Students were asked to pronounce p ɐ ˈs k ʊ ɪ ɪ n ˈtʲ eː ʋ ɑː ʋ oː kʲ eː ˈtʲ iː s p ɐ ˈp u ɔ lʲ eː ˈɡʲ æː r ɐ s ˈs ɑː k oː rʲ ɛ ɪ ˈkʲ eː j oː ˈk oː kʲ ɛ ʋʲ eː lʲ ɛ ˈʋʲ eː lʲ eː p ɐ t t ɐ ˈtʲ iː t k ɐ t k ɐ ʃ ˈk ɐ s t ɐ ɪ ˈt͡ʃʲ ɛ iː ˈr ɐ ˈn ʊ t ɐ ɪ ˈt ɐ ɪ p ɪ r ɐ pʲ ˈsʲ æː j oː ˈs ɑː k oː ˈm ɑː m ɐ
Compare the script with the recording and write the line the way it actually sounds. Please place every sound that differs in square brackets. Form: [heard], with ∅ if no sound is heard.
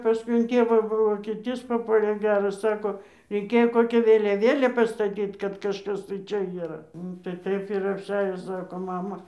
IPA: p ɐ ˈs k ʊ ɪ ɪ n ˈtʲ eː ʋ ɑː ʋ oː kʲ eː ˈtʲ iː s p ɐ ˈp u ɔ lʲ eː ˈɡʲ æː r ɐ s ˈs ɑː k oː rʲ ɛ ɪ ˈkʲ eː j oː ˈk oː kʲ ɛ ʋʲ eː lʲ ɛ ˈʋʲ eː lʲ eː p ɐ [s] t ɐ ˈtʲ iː t k ɐ t k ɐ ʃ ˈk ɐ s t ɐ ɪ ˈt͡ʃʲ ɛ iː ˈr ɐ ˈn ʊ t ɐ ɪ ˈt ɐ ɪ p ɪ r ɐ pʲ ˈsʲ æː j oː ˈs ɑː k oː ˈm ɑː m ɐ

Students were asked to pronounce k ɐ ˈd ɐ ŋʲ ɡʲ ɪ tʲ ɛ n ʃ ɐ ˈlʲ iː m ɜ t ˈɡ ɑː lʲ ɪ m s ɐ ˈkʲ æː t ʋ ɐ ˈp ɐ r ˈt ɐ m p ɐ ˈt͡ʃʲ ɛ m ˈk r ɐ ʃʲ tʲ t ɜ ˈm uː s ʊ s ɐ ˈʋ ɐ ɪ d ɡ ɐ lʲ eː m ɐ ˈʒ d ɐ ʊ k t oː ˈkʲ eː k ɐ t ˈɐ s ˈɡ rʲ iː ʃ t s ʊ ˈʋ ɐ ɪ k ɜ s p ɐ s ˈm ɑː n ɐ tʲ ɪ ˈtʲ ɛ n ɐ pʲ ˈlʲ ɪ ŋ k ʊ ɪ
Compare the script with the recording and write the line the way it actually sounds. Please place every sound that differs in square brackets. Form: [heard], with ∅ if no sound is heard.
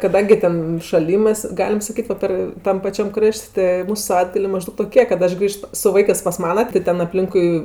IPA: k ɐ ˈd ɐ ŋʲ ɡʲ ɪ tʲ ɛ n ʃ ɐ ˈlʲ iː m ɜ [s] ˈɡ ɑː lʲ ɪ m s ɐ ˈkʲ [iː] t ʋ ɐ ˈp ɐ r ˈt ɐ m p ɐ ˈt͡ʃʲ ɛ m ˈk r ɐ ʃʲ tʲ t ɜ ˈm uː s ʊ s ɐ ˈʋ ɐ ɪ d ɡ ɐ lʲ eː m ɐ ˈʒ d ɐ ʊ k t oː ˈkʲ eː k ɐ t ˈɐ [ʃ] ˈɡ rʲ iː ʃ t s ʊ ˈʋ ɐ ɪ k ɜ s p ɐ s ˈm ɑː n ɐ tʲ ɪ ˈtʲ ɛ n ɐ pʲ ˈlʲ ɪ ŋ k ʊ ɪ

